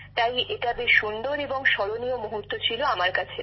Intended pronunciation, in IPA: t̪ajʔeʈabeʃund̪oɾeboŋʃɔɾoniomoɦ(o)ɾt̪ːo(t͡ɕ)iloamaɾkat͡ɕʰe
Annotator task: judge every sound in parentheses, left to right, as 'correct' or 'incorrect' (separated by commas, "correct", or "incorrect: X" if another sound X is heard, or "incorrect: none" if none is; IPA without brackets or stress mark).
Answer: incorrect: u, incorrect: t͡ɕʰ